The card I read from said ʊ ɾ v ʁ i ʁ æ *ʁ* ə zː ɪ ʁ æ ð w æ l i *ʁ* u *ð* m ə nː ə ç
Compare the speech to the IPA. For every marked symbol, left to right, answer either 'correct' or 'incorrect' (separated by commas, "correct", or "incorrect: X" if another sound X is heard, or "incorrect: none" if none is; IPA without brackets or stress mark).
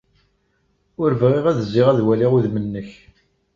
incorrect: ð, correct, correct